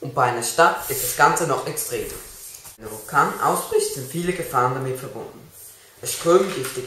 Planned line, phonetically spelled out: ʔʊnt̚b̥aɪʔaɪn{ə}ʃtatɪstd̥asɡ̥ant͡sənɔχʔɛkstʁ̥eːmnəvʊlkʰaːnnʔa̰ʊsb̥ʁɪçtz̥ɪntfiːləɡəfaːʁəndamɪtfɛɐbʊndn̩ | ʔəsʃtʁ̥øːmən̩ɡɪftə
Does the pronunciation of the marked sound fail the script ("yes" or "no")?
yes